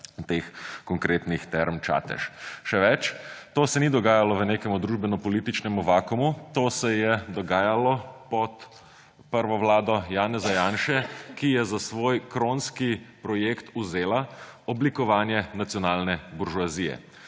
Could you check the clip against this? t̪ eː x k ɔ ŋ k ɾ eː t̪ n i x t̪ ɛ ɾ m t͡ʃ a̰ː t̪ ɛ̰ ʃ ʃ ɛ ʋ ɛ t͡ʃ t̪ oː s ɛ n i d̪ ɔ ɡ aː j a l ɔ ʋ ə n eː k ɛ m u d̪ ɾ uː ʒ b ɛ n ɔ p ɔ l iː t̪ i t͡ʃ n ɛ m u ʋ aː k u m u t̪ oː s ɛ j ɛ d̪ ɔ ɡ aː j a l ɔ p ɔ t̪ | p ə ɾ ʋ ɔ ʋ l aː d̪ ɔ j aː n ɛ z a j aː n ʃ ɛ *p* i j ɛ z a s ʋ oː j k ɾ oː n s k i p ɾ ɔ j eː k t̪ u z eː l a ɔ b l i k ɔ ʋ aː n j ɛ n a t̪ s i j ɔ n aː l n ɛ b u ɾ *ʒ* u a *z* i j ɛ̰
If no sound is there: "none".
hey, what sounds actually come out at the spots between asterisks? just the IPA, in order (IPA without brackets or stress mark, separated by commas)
k, ʒ, z